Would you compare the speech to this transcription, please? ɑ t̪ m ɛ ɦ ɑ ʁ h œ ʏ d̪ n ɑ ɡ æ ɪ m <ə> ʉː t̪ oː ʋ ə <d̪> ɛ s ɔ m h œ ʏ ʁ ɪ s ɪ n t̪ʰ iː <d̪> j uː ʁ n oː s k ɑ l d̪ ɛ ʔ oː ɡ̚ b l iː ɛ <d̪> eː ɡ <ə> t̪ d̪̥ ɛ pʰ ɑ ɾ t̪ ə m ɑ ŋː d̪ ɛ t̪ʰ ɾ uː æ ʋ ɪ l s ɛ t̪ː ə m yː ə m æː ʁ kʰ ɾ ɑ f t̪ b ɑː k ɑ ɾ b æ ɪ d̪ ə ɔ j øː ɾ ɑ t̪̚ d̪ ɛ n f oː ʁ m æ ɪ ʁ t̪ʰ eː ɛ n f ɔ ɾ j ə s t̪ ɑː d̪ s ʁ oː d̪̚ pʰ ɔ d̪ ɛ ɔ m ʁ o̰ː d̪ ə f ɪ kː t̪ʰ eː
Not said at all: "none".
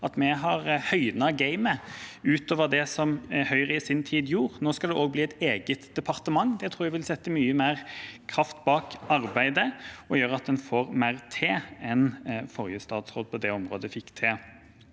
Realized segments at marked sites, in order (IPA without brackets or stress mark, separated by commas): ə, d̪, d̪, t̪, ə